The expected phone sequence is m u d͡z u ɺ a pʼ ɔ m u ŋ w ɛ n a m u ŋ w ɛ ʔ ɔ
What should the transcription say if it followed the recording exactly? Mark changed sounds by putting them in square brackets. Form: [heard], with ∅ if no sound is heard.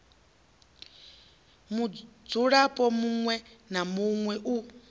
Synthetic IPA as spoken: m u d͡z u ɺ a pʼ ɔ m u ŋ w ɛ n a m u ŋ w ɛ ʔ [u]

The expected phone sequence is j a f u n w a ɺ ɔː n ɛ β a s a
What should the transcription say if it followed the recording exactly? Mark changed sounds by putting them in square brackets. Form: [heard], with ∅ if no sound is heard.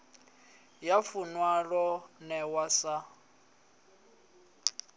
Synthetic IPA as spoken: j a f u n w a ɺ [ɔ] n ɛ [w] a s a

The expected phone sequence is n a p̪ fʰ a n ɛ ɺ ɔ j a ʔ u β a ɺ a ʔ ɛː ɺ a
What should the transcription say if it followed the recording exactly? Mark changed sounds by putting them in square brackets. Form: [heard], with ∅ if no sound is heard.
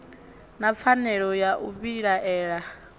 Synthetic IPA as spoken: n a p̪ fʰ a n ɛ ɺ ɔ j a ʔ u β [i] ɺ a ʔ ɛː ɺ a

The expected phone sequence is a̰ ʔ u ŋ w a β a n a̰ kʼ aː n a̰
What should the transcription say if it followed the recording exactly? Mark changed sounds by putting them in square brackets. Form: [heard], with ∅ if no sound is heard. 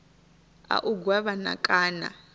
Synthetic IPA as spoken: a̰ ʔ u [ɡ] w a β a n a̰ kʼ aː n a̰

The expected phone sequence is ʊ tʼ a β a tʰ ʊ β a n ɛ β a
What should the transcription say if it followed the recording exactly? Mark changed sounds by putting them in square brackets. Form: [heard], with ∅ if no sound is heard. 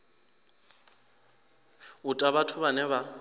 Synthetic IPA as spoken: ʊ tʼ a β a tʰ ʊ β a n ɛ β a

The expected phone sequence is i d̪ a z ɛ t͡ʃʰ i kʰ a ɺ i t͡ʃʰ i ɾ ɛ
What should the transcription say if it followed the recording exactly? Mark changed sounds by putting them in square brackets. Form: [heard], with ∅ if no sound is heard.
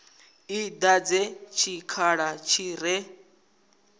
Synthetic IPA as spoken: i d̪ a [d͡z] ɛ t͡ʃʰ i kʰ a ɺ [a] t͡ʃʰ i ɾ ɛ

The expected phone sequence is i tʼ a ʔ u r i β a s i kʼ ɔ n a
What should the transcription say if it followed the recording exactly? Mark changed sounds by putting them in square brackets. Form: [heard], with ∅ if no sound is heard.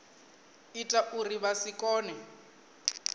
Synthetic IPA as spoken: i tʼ a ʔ u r i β a s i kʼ [ɔː] n [ɛ]

